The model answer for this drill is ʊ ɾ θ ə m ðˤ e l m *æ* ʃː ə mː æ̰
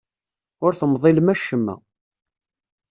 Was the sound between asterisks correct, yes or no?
yes